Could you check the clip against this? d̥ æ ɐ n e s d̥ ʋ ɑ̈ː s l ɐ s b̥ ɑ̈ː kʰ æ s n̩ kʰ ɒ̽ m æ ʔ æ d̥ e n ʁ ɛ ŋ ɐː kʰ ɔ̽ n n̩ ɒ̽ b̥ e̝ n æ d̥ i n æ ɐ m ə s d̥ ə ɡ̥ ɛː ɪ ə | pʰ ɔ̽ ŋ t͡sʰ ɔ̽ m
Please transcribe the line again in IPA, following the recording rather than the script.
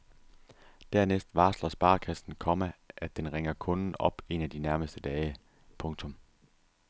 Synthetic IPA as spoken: d̥ æ ɐ n e s d̥ ʋ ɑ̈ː s l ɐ s b̥ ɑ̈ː kʰ æ s n̩ kʰ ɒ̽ m æ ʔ æ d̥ e n ʁ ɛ ŋ ɐ kʰ ɔ̽ n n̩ ɒ̽ b̥ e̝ n æ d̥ i n æ ɐ m ə s d̥ ə d̥ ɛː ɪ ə | pʰ ɔ̽ ŋ t͡sʰ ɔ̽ m